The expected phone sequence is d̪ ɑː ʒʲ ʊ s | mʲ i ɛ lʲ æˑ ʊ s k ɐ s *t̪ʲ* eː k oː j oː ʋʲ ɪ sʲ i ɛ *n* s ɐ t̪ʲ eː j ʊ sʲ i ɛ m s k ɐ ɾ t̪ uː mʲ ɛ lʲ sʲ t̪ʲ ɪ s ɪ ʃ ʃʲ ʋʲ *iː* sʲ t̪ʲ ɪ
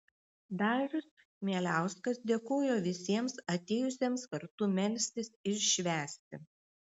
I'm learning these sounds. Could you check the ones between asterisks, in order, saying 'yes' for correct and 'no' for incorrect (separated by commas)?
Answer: no, no, no